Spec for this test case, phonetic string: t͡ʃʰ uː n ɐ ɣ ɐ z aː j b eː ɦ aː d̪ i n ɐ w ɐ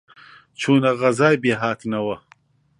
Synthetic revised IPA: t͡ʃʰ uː n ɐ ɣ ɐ z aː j b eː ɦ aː t̪ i n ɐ w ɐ